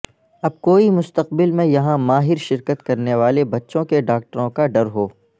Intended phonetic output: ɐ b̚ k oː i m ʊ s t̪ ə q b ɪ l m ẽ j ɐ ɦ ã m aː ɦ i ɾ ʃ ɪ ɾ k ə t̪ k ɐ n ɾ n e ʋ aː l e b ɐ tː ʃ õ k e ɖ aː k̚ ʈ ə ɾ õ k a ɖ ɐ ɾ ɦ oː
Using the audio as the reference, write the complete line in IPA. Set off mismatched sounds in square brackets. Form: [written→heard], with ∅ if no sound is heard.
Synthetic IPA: ɐ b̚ k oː i m ʊ s t̪ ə q b ɪ l m ẽ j ɐ ɦ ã m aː ɦ [i→ɪ] ɾ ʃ ɪ ɾ k ə t̪ k ɐ [n→∅] ɾ n e ʋ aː l e b ɐ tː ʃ õ k e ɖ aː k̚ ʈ ə ɾ õ k a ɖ ɐ ɾ ɦ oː